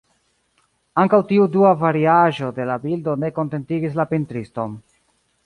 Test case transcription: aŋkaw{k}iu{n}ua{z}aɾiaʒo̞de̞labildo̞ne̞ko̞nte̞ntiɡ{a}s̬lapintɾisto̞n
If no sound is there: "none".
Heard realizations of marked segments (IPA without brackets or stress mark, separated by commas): t, d, v, i